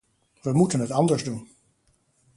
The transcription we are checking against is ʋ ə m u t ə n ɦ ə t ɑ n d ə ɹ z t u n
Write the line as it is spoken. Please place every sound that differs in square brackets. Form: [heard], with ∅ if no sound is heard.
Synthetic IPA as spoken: ʋ ə m u t ə n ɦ ə t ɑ n d ə ɹ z [d] u n